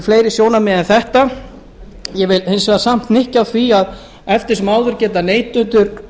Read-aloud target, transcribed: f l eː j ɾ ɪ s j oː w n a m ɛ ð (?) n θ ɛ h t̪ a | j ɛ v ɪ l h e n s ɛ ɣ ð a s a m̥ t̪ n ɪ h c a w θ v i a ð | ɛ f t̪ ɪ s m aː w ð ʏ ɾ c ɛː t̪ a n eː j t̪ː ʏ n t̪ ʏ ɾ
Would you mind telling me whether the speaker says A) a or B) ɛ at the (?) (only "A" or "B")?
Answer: B